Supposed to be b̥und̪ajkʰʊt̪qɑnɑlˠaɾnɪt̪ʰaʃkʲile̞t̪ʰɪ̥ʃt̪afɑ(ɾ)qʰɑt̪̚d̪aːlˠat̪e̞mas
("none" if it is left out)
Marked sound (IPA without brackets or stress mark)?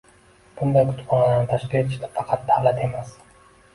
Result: none